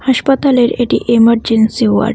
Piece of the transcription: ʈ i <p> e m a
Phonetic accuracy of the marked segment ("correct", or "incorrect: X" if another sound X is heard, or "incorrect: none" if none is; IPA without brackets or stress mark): incorrect: ʔ